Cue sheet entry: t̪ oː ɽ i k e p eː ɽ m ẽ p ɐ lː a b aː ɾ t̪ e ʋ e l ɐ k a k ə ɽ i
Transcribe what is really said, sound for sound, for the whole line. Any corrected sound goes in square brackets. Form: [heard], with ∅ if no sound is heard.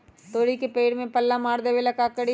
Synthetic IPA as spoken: t̪ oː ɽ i k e p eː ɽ m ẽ p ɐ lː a [m] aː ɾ [d̪] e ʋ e l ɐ k a k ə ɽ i